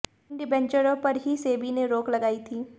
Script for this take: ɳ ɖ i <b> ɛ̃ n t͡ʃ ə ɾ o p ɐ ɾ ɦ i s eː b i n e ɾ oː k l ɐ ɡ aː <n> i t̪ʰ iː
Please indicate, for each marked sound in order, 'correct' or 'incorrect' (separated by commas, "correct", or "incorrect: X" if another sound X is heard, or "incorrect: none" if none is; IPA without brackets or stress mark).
correct, incorrect: none